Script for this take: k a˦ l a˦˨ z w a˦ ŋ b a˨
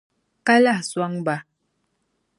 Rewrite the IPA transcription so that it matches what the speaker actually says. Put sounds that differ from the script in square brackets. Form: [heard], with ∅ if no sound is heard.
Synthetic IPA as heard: k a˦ l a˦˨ [s] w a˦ ŋ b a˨